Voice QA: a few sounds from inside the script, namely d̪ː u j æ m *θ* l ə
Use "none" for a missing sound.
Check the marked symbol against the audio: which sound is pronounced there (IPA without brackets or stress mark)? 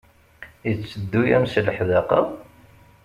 s